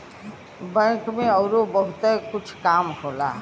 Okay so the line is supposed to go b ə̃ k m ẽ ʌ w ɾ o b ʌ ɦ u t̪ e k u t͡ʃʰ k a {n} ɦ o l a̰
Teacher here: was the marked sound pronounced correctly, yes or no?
no